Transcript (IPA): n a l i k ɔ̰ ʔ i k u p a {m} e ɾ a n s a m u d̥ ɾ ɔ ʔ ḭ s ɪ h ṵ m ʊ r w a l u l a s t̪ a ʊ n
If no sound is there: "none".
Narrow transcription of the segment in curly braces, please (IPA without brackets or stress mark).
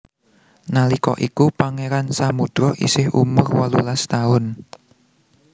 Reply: ŋ